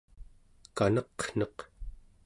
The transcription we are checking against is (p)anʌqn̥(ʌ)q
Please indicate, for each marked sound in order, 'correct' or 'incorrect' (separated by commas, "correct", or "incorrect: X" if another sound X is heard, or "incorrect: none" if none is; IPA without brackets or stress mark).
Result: incorrect: k, correct